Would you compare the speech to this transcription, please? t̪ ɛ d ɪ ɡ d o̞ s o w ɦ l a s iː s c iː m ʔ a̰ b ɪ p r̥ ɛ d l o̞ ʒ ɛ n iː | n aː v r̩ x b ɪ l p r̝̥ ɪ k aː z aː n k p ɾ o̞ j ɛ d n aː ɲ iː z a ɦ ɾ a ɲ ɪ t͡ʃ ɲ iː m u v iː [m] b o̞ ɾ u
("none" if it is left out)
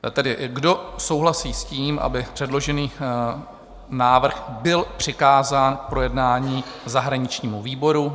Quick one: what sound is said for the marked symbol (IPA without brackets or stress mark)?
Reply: none